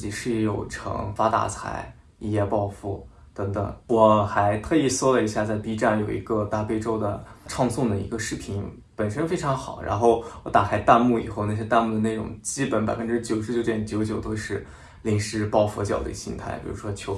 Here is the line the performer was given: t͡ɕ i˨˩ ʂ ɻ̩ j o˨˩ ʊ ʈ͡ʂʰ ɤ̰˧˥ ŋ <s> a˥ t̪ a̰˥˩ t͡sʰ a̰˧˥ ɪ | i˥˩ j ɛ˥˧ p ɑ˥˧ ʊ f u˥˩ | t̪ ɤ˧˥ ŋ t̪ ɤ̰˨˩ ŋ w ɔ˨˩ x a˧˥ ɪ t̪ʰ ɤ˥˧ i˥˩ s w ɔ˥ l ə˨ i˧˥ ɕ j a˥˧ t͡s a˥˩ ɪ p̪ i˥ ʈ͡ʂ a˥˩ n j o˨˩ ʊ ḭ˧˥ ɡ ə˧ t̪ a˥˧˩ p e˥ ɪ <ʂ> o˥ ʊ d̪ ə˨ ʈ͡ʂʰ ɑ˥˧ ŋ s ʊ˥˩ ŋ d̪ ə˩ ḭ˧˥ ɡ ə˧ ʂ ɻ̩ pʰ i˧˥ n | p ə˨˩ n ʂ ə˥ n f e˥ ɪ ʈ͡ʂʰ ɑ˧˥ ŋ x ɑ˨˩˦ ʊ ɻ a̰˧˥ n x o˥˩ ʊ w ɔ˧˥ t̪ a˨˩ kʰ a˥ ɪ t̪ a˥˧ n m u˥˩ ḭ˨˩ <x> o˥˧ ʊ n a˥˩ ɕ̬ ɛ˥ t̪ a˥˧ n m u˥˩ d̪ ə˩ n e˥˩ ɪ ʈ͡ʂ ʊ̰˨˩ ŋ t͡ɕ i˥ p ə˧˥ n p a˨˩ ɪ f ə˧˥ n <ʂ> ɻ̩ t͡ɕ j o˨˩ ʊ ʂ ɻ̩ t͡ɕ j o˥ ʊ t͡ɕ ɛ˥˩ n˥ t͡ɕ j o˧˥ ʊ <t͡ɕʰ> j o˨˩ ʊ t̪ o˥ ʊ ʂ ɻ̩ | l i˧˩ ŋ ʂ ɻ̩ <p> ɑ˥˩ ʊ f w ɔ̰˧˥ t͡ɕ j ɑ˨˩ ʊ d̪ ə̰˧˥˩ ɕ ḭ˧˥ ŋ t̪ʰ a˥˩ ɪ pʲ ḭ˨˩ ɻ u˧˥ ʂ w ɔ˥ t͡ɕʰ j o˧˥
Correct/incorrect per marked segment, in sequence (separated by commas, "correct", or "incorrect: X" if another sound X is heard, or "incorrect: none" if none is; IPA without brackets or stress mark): incorrect: f, incorrect: ʈ͡ʂ, correct, incorrect: ʈ͡ʂ, incorrect: t͡ɕ, correct